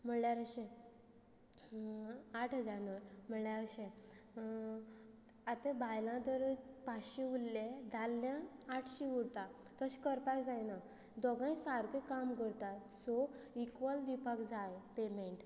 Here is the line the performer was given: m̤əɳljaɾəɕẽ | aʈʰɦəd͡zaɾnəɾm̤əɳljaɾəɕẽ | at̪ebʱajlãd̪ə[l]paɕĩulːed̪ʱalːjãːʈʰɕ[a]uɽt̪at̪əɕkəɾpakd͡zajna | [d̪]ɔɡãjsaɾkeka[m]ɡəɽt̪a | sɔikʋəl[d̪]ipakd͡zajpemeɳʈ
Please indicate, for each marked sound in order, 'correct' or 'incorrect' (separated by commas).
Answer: incorrect, incorrect, correct, correct, correct